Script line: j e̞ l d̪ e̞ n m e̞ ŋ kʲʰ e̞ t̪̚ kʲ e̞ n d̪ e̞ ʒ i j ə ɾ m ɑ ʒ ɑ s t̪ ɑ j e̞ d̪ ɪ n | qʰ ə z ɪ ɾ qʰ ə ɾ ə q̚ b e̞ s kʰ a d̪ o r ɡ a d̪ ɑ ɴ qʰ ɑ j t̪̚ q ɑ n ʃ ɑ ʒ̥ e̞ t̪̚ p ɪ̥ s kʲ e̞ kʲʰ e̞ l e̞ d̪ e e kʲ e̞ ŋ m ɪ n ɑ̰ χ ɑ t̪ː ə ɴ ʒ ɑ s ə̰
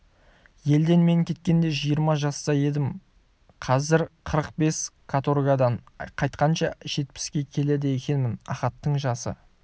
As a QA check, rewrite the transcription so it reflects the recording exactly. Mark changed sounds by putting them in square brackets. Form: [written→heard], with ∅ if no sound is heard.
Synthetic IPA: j e̞ l d̪ e̞ n m e̞ ŋ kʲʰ e̞ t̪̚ kʲ e̞ n d̪ e̞ ʒ i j ə ɾ m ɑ ʒ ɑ s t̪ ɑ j e̞ d̪ ɪ [n→m] | qʰ [ə→ɑ] z ɪ ɾ qʰ ə ɾ ə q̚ b e̞ s kʰ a [d̪→t̪] o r ɡ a d̪ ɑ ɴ qʰ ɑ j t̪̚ q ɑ n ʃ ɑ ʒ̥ e̞ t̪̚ p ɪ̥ s kʲ e̞ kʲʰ e̞ l e̞ d̪ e e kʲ e̞ [ŋ→n] m ɪ n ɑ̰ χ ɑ t̪ː ə ɴ ʒ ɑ s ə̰